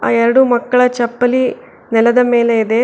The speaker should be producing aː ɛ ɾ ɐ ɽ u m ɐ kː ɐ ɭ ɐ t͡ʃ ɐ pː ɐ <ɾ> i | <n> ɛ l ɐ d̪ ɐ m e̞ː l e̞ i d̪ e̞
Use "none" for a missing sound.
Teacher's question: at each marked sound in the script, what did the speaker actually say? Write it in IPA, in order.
l, n

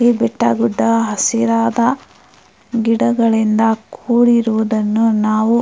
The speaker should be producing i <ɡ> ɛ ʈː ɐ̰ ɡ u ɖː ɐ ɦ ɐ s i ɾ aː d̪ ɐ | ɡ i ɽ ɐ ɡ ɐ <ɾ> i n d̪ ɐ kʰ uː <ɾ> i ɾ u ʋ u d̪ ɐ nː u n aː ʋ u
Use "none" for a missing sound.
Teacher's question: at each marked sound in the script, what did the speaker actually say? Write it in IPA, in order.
b, ɭ, ɽ

